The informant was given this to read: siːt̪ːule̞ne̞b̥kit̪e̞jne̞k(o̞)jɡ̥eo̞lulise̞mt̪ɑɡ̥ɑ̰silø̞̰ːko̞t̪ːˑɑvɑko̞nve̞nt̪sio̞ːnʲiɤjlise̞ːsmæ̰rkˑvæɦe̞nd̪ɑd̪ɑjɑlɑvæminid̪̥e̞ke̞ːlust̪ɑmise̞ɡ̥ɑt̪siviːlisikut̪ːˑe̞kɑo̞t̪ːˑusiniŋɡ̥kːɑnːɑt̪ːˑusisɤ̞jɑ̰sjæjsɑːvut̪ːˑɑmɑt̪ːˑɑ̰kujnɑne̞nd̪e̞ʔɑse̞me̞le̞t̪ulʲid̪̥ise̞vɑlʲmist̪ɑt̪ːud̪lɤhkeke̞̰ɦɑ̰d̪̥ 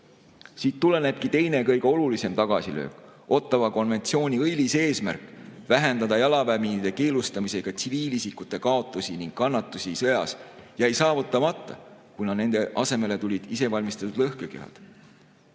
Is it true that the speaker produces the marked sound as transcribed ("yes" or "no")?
no